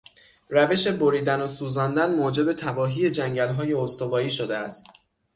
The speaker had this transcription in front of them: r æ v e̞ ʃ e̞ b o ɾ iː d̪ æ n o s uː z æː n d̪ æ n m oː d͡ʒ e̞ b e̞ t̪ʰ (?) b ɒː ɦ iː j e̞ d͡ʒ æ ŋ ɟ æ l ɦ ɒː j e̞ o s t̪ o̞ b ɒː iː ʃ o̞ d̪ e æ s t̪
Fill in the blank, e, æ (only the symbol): æ